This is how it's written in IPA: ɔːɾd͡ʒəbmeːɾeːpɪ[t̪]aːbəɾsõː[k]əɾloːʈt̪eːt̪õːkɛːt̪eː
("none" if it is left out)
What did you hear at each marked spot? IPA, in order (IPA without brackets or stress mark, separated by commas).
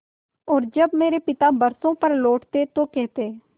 t̪, p